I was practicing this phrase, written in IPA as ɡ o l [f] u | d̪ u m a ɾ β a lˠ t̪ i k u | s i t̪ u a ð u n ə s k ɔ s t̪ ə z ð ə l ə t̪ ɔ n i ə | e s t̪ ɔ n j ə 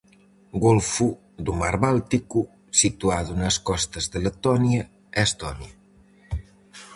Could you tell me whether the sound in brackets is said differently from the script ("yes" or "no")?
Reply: no